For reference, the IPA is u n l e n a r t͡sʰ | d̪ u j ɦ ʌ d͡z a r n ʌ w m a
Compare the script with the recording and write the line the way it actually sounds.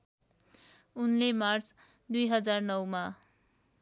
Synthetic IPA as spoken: u n l e m a r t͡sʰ | d̪ u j ɦ ʌ d͡z a r n ʌ w m a